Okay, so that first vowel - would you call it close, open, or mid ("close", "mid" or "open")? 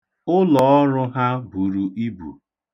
close